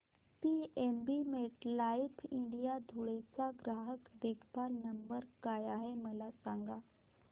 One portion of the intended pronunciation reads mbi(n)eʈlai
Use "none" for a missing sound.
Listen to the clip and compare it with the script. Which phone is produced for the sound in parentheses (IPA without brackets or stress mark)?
m